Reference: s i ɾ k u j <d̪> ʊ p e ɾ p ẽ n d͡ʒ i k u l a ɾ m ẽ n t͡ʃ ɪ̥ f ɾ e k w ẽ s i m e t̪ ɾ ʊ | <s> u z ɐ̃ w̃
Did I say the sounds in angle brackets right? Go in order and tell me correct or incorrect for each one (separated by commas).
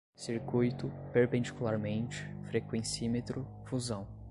incorrect, incorrect